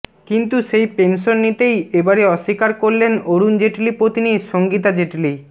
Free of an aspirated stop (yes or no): yes